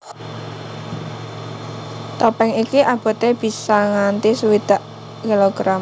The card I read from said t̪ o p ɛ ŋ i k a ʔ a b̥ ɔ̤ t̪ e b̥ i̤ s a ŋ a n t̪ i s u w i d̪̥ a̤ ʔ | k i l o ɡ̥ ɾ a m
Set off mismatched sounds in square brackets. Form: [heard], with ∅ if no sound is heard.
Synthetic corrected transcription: t̪ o p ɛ ŋ i k [i] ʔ a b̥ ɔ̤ t̪ e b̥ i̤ s a ŋ a n t̪ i s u w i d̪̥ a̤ ʔ | k i l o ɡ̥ ɾ a m